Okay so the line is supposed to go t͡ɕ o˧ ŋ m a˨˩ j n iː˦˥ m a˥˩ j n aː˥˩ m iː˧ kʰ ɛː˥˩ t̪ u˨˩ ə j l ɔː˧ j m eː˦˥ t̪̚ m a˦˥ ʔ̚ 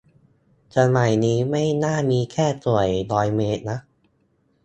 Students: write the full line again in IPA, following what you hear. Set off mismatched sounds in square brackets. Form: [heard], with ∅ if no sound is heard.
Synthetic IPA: t͡ɕ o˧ [n] m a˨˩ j n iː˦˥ m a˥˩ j n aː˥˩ m iː˧ kʰ ɛː˥˩ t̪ u˨˩ ə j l [ɔː˦˥] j m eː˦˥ t̪̚ [n] a˦˥ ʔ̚

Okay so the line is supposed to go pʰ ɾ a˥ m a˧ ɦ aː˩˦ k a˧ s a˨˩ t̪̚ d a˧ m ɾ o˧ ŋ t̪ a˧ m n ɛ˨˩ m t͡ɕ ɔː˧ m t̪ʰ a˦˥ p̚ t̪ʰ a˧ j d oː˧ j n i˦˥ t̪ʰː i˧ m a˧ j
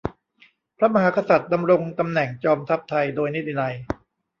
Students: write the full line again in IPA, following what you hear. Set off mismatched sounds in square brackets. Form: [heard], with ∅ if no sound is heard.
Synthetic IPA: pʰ ɾ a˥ m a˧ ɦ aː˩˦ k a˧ s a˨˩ t̪̚ d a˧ m ɾ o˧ ŋ t̪ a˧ m n ɛ˨˩ [ŋ] t͡ɕ ɔː˧ m t̪ʰ a˦˥ p̚ t̪ʰ a˧ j d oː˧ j n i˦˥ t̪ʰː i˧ [n] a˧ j

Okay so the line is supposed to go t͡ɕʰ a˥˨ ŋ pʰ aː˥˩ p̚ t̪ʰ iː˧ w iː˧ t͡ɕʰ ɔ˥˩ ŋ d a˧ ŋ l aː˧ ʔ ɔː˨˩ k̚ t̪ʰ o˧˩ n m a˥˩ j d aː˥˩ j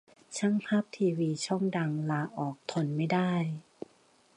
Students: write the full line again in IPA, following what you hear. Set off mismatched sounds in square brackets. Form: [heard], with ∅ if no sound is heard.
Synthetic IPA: t͡ɕʰ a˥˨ ŋ pʰ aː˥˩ p̚ t̪ʰ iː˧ w iː˧ t͡ɕʰ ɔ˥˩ ŋ d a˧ ŋ l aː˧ ʔ ɔː˨˩ k̚ t̪ʰ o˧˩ n m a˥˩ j d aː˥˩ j

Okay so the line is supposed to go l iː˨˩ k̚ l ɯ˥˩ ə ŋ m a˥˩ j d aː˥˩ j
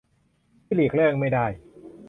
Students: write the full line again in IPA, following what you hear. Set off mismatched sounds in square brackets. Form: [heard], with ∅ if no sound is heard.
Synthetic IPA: l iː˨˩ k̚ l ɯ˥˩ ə ŋ m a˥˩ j d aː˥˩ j

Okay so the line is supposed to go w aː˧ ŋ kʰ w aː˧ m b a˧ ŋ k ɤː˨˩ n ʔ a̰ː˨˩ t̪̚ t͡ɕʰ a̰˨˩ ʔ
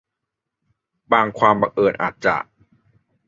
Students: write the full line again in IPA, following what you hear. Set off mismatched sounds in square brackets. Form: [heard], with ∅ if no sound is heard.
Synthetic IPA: [b] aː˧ ŋ kʰ w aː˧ m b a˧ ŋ [ʔ] ɤː˨˩ n ʔ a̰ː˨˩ t̪̚ [t͡ɕ] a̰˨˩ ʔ

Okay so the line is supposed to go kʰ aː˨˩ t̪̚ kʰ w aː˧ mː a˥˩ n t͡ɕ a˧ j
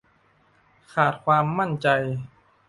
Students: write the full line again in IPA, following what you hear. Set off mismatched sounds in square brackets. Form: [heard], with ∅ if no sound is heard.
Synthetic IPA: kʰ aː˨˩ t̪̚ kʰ w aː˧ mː a˥˩ n t͡ɕ a˧ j

